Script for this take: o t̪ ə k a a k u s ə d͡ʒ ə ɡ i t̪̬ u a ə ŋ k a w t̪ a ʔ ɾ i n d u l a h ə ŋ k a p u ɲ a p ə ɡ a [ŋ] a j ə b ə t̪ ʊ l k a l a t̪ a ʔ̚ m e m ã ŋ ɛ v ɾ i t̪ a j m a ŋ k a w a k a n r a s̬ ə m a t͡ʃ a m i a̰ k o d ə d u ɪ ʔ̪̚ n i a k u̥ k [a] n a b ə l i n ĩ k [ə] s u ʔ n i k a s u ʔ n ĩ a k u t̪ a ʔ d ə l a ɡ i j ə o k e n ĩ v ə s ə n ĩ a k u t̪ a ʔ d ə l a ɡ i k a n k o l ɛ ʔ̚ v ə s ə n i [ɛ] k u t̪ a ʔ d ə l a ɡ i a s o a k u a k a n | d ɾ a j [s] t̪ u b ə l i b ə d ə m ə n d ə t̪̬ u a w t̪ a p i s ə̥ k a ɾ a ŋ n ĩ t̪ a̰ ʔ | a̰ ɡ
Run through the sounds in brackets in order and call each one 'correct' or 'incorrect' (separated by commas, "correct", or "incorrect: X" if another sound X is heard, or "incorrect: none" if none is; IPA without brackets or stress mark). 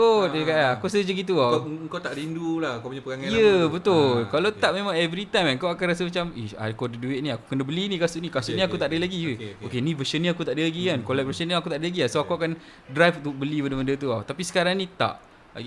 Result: correct, incorrect: ə, incorrect: a, incorrect: a, incorrect: f